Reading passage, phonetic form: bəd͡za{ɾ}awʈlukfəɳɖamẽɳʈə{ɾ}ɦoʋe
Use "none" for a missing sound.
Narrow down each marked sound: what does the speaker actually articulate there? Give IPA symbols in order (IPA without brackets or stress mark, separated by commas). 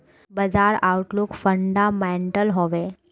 ɾ, l